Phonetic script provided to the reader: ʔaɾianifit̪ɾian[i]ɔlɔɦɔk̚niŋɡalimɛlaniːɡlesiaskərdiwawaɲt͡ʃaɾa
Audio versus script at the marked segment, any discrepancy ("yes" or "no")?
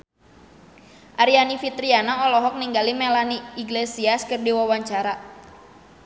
yes